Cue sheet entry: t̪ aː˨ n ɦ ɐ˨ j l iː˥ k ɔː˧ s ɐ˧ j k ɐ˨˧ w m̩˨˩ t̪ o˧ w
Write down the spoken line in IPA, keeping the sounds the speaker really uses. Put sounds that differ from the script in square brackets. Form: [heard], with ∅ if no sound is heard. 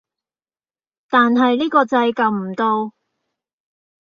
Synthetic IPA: t̪ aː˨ n ɦ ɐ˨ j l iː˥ k ɔː˧ [t͡s] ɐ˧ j k ɐ˨˧ w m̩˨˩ t̪ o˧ w